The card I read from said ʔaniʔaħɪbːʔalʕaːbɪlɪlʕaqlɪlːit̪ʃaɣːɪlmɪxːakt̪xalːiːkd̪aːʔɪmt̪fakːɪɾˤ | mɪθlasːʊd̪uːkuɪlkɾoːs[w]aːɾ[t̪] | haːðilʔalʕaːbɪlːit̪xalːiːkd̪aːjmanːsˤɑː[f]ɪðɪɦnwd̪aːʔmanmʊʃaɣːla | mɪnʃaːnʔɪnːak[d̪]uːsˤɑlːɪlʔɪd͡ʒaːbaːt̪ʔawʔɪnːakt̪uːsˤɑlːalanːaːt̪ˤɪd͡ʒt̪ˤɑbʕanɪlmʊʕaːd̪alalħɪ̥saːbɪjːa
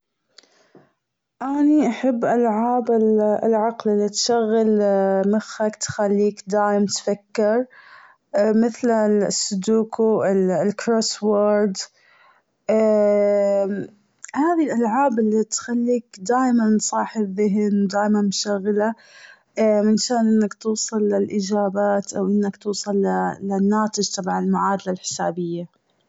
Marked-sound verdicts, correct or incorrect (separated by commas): correct, incorrect, incorrect, incorrect